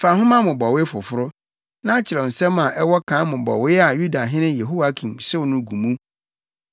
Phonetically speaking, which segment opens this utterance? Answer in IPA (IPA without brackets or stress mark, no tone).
f